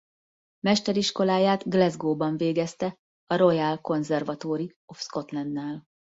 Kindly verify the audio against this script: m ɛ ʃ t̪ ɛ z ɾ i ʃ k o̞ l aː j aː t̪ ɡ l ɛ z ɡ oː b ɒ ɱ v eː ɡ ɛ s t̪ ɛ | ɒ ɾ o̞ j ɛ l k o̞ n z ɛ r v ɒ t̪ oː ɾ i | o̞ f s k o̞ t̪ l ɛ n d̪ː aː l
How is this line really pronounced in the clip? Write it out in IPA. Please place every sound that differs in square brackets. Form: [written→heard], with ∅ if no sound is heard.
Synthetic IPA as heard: m ɛ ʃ t̪ ɛ [z→∅] ɾ i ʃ k o̞ l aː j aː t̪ ɡ l ɛ z ɡ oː b ɒ ɱ v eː ɡ ɛ s t̪ ɛ | ɒ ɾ o̞ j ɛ l k o̞ n z ɛ r v ɒ t̪ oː ɾ i | o̞ f s k o̞ t̪ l ɛ n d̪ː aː l